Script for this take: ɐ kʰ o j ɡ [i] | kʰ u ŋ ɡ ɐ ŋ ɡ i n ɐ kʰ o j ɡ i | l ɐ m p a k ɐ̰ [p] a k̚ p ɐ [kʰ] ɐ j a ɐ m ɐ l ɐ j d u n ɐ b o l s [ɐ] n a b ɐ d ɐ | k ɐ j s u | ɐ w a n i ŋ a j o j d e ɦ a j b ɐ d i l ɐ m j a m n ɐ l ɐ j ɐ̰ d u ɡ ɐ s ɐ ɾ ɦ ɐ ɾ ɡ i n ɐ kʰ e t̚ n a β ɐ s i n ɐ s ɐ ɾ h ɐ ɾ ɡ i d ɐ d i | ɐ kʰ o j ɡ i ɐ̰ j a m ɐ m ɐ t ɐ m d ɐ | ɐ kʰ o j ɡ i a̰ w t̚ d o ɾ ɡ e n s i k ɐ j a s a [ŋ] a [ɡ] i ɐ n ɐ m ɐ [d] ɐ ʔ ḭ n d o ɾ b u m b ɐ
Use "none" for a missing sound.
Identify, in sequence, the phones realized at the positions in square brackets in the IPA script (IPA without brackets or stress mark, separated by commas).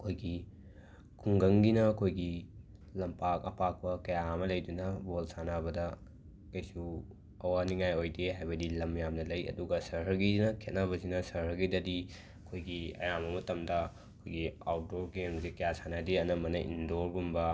i, p, k, a, n, d, n